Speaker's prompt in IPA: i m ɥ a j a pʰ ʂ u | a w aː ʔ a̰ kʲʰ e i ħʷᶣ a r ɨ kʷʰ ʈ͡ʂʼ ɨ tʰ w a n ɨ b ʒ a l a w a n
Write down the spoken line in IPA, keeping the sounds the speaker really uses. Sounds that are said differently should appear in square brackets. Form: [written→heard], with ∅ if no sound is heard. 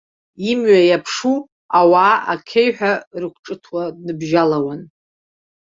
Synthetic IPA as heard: i m ɥ a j a pʰ ʂ u | a w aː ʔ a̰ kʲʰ e [i→j] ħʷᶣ a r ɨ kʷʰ ʈ͡ʂʼ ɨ tʰ w a n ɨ b ʒ a l a w a n